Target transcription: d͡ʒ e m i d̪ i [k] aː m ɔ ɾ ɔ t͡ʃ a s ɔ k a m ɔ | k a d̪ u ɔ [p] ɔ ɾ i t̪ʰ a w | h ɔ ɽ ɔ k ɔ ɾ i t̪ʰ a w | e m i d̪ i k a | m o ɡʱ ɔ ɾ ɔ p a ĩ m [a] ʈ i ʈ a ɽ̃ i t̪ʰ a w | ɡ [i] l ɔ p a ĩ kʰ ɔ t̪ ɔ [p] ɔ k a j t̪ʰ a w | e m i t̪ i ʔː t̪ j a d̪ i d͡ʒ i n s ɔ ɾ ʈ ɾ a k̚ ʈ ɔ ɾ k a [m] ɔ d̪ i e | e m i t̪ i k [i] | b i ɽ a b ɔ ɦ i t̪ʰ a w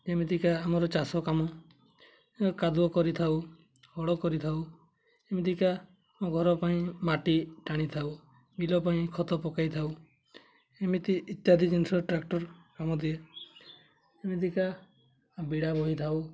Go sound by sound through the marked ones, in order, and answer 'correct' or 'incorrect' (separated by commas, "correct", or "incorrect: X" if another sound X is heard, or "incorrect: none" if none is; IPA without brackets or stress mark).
correct, incorrect: k, correct, correct, correct, correct, incorrect: a